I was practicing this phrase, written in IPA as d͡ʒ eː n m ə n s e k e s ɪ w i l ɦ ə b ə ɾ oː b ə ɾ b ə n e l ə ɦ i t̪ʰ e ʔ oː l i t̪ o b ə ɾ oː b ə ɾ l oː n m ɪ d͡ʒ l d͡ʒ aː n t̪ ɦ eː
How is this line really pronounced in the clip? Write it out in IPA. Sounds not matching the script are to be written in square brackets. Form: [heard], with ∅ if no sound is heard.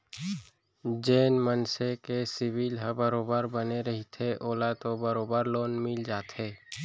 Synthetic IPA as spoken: d͡ʒ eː n m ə n s e k e s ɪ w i l ɦ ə b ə ɾ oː b ə ɾ b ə n e [ɾ] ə ɦ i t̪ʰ e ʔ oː l [a] t̪ o b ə ɾ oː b ə ɾ l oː n m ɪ [∅] l d͡ʒ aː [∅] t̪ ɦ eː

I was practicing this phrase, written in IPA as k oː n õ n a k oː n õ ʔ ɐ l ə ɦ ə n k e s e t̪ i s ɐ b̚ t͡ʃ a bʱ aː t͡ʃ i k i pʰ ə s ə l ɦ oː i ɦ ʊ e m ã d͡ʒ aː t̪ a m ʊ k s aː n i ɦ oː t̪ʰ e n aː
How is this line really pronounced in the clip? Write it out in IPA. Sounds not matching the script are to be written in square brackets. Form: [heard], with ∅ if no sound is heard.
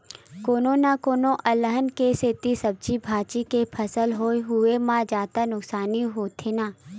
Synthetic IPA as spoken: k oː n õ n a k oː n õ ʔ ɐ l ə ɦ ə n k e s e t̪ i s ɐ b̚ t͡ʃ [i] bʱ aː t͡ʃ i k [e] pʰ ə s ə l ɦ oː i ɦ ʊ e m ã d͡ʒ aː t̪ a [n] ʊ k s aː n i ɦ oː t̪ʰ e n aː

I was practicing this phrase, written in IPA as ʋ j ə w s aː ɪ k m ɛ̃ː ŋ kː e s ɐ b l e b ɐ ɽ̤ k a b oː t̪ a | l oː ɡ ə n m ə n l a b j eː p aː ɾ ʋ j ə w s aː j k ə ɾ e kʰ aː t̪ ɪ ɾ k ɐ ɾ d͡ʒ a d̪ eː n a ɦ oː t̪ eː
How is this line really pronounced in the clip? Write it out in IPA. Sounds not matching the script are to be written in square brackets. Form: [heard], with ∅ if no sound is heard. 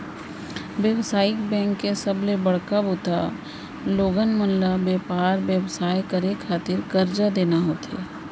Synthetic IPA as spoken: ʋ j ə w s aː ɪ k [b] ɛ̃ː ŋ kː e s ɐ b l e b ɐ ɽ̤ k a b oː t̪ a | l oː ɡ ə n m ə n l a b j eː p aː ɾ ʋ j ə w s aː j k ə ɾ e kʰ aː t̪ ɪ ɾ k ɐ ɾ d͡ʒ a d̪ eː n a ɦ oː t̪ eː

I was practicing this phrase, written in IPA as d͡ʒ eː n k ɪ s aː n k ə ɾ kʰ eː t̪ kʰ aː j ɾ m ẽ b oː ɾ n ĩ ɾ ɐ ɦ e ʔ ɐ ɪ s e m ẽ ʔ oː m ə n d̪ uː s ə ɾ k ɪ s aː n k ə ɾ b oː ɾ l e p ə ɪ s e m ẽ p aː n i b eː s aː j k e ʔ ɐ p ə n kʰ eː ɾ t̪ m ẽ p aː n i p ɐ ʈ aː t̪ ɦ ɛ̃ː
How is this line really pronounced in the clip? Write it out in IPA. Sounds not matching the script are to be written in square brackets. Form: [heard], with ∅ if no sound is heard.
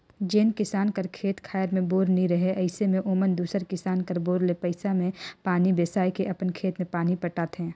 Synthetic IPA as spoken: d͡ʒ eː n k ɪ s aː n k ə ɾ kʰ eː t̪ kʰ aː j ɾ m ẽ b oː ɾ n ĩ ɾ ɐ ɦ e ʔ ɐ ɪ s e m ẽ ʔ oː m ə n d̪ uː s ə ɾ k ɪ s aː n k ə ɾ b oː ɾ l e p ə ɪ s [a] m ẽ p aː n i b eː s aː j k e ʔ ɐ p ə n kʰ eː [∅] t̪ m ẽ p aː n i p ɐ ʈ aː t̪ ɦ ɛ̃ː

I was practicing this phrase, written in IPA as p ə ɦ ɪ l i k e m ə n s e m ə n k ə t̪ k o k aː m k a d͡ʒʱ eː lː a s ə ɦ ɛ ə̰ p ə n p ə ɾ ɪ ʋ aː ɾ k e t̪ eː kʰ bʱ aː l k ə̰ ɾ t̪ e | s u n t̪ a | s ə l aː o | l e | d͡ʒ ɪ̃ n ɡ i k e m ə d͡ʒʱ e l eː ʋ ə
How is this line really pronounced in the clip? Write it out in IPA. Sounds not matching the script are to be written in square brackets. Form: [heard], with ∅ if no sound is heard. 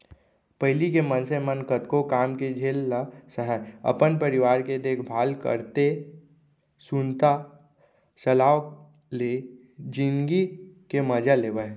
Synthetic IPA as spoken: p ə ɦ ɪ l i k e m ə n s e m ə n k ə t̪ k o k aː m k [e] d͡ʒʱ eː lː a s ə ɦ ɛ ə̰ p ə n p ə ɾ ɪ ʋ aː ɾ k e [d̪] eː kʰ bʱ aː l k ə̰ ɾ t̪ e | s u n t̪ a | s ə l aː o | l e | d͡ʒ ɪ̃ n ɡ i k e m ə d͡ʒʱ [a] l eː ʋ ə

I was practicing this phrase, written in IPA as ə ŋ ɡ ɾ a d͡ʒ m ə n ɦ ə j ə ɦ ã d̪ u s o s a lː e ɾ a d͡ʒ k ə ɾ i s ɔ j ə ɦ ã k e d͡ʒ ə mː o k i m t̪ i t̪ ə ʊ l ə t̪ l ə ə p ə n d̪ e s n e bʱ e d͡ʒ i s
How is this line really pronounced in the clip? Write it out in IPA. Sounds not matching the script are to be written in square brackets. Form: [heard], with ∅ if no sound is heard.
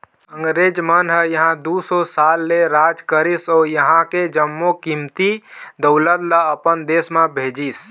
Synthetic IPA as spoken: ə ŋ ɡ ɾ [e] d͡ʒ m ə n ɦ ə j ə ɦ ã d̪ u s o s a lː e ɾ a d͡ʒ k ə ɾ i s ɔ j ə ɦ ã k e d͡ʒ ə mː o k i m t̪ i [d̪] ə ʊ l ə t̪ l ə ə p ə n d̪ e s [m] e bʱ e d͡ʒ i s

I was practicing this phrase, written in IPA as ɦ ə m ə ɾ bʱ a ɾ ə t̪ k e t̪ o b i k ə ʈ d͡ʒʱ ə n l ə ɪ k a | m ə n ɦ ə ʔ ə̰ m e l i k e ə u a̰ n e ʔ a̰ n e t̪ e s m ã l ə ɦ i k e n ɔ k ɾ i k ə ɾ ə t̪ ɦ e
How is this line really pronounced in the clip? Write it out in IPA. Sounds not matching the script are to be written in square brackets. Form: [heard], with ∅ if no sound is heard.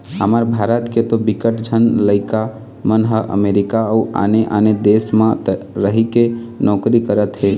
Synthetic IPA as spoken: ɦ ə m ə ɾ bʱ a ɾ ə t̪ k e t̪ o b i k ə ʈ d͡ʒʱ ə n l ə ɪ k a | m ə n ɦ ə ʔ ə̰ m e [ɾ] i k [a] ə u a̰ n e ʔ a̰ n e [d̪] e s m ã [ɾ] ə ɦ i k e n ɔ k ɾ i k ə ɾ ə t̪ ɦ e

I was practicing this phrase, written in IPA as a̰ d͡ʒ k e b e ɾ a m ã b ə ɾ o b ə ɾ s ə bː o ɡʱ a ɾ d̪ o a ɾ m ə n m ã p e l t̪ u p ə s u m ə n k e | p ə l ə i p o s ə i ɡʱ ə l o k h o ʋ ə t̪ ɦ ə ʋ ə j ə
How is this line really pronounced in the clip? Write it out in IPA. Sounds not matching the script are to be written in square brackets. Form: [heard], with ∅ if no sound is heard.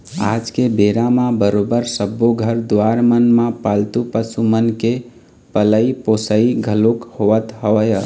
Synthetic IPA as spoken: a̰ d͡ʒ k e b e ɾ a m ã b ə ɾ o b ə ɾ s ə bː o ɡʱ [ə] ɾ d̪ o a ɾ m ə n m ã p [a] l t̪ u p ə s u m ə n k e | p ə l ə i p o s ə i ɡʱ ə l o k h o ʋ ə t̪ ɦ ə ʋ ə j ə

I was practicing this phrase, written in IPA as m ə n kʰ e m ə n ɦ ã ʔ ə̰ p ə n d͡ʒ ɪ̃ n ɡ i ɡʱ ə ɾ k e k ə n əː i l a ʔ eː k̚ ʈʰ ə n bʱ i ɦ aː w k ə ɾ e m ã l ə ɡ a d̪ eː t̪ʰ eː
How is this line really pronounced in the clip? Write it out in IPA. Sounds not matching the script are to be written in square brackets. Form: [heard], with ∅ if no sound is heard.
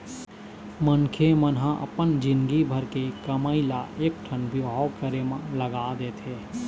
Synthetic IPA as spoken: m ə n kʰ e m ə n ɦ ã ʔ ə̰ p ə n d͡ʒ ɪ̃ n ɡ i [bʱ] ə ɾ k e k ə [m] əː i l a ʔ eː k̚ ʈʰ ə n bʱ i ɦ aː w k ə ɾ e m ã l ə ɡ a d̪ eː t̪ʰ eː

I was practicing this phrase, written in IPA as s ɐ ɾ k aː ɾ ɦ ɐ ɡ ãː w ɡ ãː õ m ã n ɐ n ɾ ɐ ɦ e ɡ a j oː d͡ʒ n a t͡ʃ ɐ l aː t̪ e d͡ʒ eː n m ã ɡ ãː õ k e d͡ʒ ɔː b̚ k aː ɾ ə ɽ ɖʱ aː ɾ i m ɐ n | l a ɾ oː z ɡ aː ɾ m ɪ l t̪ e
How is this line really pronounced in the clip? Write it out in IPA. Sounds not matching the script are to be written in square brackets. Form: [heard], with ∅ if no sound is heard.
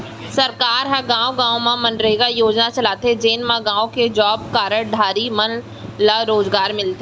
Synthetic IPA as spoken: s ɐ ɾ k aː ɾ ɦ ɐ ɡ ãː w ɡ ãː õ m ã [m] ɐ n ɾ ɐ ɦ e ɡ a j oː d͡ʒ n a t͡ʃ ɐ l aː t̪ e d͡ʒ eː n m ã ɡ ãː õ k e d͡ʒ ɔː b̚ k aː ɾ ə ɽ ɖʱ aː ɾ i m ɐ n | l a ɾ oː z ɡ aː ɾ m ɪ l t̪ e

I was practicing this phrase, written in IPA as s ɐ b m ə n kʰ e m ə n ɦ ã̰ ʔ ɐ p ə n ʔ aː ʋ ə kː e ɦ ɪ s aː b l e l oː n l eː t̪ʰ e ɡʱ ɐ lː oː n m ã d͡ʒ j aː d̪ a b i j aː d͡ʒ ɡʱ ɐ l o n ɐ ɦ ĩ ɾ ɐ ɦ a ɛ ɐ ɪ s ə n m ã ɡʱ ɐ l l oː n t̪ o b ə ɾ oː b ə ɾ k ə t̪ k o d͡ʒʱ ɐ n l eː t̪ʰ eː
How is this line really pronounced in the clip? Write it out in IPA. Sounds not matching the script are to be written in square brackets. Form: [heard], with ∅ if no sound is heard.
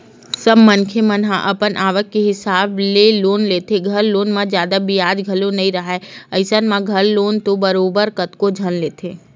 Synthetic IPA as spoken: s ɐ b m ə n kʰ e m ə n ɦ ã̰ ʔ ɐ p ə n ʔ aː ʋ ə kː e ɦ ɪ s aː b l e l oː n l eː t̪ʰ e ɡʱ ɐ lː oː n m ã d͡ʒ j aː d̪ a b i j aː d͡ʒ ɡʱ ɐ l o n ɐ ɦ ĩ ɾ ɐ ɦ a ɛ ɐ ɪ s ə n m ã ɡʱ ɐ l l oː n t̪ o b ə ɾ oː b ə ɾ k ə t̪ k o d͡ʒʱ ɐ n l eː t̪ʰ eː

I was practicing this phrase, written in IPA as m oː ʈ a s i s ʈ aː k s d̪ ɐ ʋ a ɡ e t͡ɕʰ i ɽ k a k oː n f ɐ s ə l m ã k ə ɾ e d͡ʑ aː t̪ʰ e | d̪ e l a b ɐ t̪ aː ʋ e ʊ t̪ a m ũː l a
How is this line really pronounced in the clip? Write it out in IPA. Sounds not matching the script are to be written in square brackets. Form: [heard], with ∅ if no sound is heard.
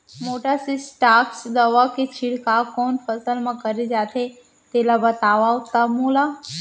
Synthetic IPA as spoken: m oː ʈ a s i s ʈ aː k s d̪ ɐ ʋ a [k] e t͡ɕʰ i ɽ k a k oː n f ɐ s ə l m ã k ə ɾ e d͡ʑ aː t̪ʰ e | [t̪] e l a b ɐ t̪ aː ʋ [a] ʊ t̪ a m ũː l a

